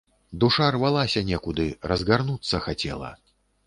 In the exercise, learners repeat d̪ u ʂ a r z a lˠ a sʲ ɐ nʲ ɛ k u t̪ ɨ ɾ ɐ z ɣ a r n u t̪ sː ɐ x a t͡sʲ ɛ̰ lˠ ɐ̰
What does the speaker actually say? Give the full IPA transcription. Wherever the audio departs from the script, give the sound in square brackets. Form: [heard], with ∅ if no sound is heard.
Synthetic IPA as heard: d̪ u ʂ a r [v] a lˠ a sʲ ɐ nʲ ɛ k u [d̪] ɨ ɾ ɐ z ɣ a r n u t̪ sː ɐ x a t͡sʲ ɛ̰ lˠ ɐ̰